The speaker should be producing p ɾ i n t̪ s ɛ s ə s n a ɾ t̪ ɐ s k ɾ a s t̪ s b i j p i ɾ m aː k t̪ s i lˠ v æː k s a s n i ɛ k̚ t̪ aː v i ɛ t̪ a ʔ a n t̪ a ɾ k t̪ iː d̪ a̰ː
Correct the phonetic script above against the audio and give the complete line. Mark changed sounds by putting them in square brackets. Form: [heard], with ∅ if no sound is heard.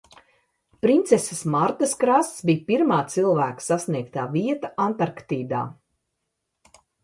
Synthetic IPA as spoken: p ɾ i n t̪ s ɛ s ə s [m] a ɾ t̪ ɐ s k ɾ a s t̪ s b i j p i ɾ m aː [∅] t̪ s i lˠ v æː k s a s n i ɛ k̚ t̪ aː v i ɛ t̪ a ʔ a n t̪ a ɾ k t̪ iː d̪ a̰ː